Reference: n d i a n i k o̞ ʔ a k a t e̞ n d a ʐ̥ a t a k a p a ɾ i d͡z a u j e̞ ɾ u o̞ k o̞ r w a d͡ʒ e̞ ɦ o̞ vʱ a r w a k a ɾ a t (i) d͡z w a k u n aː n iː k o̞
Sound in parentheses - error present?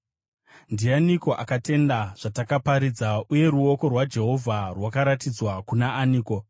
no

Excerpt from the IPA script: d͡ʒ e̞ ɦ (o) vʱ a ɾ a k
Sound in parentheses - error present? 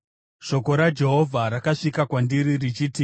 no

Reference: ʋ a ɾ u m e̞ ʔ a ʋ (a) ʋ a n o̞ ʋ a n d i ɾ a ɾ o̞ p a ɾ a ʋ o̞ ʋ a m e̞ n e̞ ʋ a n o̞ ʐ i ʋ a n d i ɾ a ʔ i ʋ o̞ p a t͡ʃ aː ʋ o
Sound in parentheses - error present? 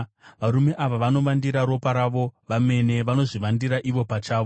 no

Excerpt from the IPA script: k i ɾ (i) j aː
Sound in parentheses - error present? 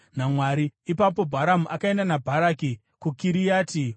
no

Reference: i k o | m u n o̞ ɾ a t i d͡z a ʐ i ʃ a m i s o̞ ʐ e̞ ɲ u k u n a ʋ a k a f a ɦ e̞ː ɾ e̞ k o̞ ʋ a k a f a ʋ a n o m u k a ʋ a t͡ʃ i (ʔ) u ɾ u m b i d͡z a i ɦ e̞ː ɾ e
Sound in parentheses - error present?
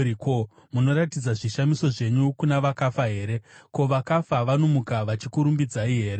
yes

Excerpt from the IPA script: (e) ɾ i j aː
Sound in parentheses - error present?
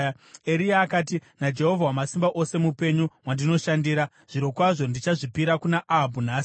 no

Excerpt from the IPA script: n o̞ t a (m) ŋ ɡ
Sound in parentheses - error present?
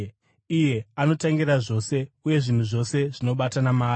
yes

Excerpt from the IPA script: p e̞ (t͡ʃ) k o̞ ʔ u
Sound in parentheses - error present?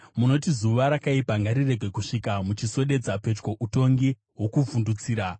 no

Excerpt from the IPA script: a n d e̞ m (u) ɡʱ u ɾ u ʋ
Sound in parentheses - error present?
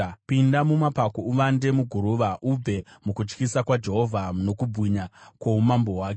no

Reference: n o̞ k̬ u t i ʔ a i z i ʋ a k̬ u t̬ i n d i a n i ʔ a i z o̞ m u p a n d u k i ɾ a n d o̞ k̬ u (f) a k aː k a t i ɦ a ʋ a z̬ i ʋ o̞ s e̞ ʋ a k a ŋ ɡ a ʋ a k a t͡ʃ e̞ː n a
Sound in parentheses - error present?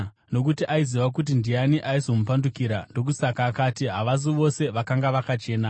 yes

